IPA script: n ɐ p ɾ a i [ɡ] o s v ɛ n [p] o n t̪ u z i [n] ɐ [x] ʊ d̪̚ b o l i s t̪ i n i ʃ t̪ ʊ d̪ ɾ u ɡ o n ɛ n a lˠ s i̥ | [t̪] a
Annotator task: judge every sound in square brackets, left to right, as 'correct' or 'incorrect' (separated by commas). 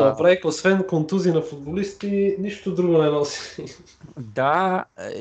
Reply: incorrect, incorrect, correct, incorrect, incorrect